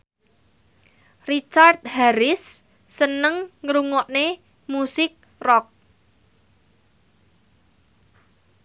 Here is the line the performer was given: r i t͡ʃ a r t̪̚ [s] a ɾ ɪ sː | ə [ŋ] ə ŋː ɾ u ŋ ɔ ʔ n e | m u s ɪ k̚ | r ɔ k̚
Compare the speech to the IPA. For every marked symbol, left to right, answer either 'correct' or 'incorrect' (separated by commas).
incorrect, incorrect